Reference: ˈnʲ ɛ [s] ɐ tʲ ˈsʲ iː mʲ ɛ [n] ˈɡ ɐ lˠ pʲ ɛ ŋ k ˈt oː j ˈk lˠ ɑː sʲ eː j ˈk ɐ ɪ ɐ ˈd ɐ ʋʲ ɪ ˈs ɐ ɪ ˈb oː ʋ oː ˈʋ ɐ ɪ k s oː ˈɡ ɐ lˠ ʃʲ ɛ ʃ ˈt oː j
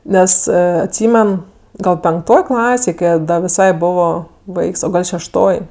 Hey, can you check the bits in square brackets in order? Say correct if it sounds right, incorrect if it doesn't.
correct, correct

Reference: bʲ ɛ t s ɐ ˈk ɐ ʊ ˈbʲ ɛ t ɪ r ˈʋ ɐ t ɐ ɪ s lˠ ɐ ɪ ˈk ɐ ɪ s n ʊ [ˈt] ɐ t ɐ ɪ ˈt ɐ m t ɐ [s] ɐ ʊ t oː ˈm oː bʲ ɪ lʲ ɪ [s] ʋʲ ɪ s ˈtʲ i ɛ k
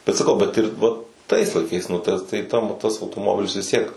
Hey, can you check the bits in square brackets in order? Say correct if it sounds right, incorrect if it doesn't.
correct, correct, correct

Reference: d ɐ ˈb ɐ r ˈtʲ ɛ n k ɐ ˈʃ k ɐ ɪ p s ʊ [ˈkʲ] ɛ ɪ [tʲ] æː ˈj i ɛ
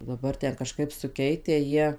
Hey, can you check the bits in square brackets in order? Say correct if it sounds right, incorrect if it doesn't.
correct, correct

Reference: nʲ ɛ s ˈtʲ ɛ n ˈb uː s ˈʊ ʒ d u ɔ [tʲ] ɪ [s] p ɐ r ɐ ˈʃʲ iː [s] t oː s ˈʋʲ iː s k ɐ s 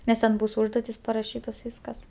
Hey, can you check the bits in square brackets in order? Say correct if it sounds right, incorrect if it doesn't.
correct, correct, incorrect

